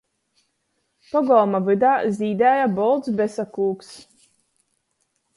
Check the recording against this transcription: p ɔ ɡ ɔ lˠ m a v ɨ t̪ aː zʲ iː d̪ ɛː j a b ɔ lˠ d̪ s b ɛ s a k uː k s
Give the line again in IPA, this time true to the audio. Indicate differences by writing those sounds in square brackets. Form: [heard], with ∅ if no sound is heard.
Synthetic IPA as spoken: p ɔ ɡ ɔ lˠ m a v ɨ [d̪] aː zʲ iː d̪ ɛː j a b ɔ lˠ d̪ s b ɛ s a k uː k s